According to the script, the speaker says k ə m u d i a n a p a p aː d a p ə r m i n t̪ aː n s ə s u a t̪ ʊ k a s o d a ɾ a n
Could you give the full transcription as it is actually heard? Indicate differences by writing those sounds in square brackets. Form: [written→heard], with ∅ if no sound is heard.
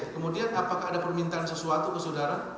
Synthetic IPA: k ə m u d i a n a p a [p→k] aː d a p ə r m i n t̪ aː n s ə s u a t̪ [ʊ→u] k [a→ə] s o d a ɾ a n

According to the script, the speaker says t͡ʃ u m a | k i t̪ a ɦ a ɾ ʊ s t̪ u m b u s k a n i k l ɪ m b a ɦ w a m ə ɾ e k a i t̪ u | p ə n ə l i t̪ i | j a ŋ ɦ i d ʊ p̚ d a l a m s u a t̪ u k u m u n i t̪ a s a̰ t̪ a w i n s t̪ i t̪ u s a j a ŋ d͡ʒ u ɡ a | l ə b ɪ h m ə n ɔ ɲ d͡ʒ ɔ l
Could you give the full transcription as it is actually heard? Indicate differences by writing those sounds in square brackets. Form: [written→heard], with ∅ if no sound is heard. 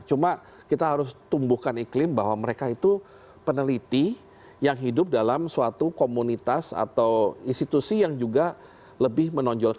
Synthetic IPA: t͡ʃ u m a | k i t̪ a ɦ a ɾ ʊ s t̪ u m b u [s→h] k a n i k l ɪ m b a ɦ w a m ə ɾ e k a i t̪ u | p ə n ə l i t̪ i | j a ŋ ɦ i d ʊ p̚ d a l a m s u a t̪ u k [u→o] m u n i t̪ a s a̰ t̪ a w i n s t̪ i t̪ u s [a→i] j a ŋ d͡ʒ u ɡ a | l ə b ɪ h m ə n ɔ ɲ d͡ʒ ɔ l

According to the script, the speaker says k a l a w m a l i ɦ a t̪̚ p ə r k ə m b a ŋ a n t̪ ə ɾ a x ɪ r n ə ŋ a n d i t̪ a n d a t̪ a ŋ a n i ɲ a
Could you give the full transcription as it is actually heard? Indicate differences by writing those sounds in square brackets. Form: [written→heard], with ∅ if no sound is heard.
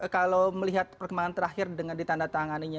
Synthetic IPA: k a l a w m [a→ə] l i ɦ a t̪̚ p ə r k ə m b a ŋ a n t̪ ə ɾ a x ɪ r [n→d] ə ŋ a n d i t̪ a n d a t̪ a ŋ a n i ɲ a

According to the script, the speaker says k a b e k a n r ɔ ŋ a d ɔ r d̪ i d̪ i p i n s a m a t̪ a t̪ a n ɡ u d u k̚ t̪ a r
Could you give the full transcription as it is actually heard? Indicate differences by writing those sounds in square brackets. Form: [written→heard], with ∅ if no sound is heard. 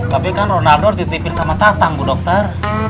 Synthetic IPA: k a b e k a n r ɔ [ŋ→n] a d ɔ r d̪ i [d̪→t̪] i p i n s a m a t̪ a t̪ a [n→ŋ] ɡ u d [u→ɔ] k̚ t̪ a r

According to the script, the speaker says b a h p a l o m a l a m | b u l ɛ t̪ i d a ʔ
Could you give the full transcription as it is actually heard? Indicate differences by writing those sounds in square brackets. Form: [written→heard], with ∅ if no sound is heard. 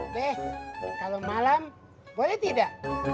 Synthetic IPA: b [a→ɛ] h [p→k] a l o m a l a m | b [u→o] l ɛ t̪ i d a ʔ

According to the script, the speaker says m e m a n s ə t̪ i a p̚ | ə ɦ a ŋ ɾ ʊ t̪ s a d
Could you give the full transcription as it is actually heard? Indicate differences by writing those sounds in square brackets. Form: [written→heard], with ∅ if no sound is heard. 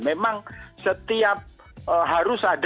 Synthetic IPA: m e m a [n→ŋ] s ə t̪ i a p̚ | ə ɦ a [ŋ→∅] ɾ ʊ [t̪→∅] s a d

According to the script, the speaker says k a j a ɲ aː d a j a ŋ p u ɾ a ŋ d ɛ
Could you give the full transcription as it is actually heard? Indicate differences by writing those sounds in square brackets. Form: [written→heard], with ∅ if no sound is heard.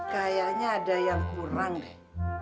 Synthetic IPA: k a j a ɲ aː d a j a ŋ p u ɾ a ŋ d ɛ

